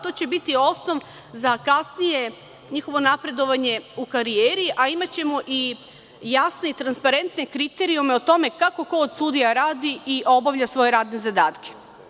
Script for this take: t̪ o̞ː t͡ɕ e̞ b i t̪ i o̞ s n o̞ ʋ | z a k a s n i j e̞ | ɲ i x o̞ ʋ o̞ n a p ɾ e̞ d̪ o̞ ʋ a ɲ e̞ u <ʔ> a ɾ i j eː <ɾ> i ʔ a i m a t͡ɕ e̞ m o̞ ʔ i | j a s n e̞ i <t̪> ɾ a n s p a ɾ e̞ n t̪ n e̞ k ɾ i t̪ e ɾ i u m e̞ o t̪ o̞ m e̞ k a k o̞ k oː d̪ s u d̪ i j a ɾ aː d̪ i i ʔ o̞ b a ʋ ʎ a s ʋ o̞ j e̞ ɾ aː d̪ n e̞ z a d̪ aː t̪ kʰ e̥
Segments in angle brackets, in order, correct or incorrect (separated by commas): incorrect, correct, correct